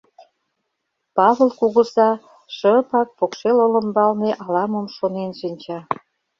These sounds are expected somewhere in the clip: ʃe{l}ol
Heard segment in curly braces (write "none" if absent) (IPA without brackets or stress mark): l